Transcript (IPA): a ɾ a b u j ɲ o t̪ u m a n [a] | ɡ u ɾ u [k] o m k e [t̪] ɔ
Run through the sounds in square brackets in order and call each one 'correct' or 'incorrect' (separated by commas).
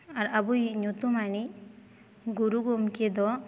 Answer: incorrect, incorrect, incorrect